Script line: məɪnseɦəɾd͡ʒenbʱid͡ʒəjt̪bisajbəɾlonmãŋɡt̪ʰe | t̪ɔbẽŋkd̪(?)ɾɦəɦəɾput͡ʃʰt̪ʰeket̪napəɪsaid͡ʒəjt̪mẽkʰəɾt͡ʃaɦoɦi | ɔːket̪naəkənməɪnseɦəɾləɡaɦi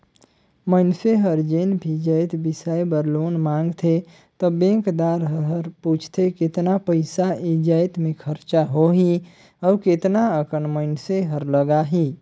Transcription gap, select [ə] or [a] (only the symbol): a